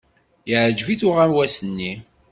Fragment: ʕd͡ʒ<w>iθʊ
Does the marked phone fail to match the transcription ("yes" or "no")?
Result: yes